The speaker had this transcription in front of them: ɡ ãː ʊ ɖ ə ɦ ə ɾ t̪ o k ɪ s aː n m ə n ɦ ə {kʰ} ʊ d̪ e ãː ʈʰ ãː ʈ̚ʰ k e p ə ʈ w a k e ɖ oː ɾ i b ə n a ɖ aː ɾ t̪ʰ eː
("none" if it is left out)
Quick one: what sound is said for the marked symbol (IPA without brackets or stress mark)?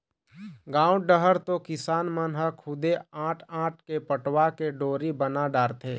kʰ